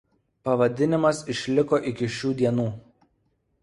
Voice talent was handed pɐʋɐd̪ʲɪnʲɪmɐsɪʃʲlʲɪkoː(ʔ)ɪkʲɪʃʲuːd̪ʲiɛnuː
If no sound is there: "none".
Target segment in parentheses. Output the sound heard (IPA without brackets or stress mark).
ʔ